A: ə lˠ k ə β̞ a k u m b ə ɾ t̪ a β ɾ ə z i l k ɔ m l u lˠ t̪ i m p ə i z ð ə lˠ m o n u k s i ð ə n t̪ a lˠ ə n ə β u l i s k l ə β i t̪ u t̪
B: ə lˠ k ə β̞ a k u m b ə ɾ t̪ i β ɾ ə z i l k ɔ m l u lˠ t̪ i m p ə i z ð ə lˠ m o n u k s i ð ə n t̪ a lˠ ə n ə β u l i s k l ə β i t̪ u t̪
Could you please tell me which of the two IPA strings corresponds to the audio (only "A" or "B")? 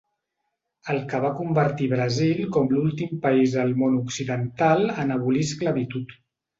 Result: B